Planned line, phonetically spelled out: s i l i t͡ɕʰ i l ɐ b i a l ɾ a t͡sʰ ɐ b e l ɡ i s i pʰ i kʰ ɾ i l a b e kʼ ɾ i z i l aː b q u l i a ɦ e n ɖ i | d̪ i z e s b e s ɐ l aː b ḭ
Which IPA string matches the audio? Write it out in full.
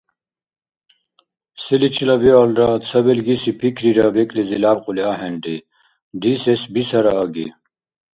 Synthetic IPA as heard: s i l i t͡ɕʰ i l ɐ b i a l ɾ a t͡sʰ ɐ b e l ɡ i s i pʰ i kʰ ɾ i ɾ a b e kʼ l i z i l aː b q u l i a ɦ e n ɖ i | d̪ i s e s b i s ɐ ɾ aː ɡ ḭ